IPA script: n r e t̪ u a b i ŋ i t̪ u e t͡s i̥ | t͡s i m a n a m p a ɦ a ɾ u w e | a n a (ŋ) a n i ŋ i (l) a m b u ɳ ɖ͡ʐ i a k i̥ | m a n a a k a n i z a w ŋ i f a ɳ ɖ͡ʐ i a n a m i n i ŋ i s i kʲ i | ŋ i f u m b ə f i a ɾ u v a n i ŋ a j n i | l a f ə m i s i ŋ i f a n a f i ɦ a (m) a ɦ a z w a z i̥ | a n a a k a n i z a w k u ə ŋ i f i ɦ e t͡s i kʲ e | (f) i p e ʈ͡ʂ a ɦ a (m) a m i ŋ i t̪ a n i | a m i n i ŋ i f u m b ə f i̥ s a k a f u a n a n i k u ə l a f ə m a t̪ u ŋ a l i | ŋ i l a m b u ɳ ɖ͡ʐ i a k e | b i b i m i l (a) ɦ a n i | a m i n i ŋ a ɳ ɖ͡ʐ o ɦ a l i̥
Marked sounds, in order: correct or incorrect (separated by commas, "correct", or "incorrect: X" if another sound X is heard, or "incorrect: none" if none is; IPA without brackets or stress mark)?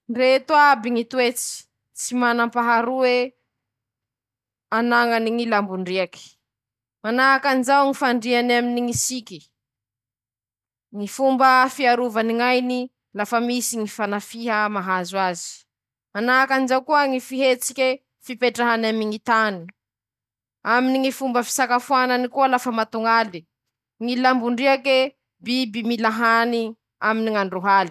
correct, correct, correct, correct, incorrect: n, correct